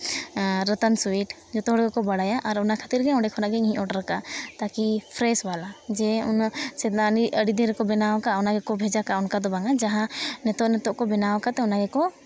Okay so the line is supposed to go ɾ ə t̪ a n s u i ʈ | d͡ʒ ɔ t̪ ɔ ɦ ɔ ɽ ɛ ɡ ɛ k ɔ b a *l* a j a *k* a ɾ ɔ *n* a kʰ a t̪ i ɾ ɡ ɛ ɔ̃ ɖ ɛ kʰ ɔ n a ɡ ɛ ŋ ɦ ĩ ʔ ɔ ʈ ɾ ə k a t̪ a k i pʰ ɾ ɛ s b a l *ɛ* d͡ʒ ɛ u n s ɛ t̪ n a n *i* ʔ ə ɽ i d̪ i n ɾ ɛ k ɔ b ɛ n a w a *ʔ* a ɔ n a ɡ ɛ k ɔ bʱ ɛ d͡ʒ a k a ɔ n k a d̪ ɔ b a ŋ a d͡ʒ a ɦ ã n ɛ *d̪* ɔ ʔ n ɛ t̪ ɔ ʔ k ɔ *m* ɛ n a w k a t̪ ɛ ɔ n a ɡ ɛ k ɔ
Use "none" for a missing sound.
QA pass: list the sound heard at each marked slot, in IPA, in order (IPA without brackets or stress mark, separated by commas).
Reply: ɽ, ʔ, n, a, i, k, t̪, b